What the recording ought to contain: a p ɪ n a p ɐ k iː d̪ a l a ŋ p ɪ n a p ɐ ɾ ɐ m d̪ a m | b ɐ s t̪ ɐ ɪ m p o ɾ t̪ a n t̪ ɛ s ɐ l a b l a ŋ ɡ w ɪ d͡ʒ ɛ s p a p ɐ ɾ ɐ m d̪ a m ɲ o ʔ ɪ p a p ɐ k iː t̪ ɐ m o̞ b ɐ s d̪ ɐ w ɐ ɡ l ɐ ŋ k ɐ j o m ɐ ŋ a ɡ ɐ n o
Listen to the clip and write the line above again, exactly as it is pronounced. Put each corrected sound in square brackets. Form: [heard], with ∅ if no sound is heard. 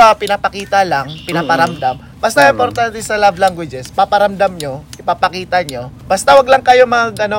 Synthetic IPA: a p ɪ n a p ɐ k iː [t̪] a l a ŋ p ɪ n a p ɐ ɾ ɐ m d̪ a m | b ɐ s t̪ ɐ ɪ m p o ɾ t̪ a n t̪ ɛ s ɐ l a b l a ŋ ɡ w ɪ d͡ʒ ɛ s p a p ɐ ɾ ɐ m d̪ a m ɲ o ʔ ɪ p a p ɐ k iː t̪ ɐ [ɲ] o̞ b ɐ s [t̪] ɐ w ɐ ɡ l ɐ ŋ k ɐ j o m ɐ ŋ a ɡ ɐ n o